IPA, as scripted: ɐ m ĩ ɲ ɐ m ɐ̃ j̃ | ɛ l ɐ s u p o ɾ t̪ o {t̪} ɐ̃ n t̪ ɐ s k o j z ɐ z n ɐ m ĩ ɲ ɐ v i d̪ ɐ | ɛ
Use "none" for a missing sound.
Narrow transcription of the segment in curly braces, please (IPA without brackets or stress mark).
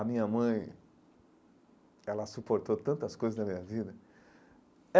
t̪